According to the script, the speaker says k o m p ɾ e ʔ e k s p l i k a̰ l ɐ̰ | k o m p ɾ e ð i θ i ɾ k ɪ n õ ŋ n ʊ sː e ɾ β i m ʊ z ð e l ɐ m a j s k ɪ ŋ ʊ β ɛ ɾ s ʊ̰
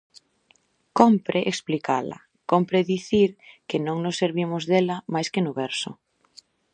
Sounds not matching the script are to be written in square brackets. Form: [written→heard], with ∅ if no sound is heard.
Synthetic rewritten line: k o m p ɾ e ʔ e k s p l i k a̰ l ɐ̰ | k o m p ɾ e ð i θ i ɾ k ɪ n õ ŋ n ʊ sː e ɾ β i m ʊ z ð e l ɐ m a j s k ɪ [ŋ→n] ʊ β ɛ ɾ s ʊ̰